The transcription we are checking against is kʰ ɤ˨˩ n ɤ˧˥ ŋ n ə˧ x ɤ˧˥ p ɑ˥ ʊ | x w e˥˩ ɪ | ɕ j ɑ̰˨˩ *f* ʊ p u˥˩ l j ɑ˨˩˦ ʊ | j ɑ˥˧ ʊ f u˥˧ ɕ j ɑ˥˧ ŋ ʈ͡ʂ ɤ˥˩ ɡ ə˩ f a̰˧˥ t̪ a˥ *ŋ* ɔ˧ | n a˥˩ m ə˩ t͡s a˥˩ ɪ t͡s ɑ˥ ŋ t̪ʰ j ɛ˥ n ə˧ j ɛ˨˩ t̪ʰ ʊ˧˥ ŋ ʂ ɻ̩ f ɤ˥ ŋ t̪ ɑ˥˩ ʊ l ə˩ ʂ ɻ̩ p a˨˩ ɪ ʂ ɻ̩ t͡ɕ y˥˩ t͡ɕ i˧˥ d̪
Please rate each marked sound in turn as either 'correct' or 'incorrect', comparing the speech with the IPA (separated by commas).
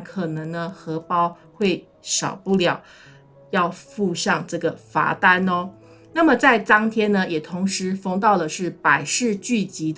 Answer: incorrect, incorrect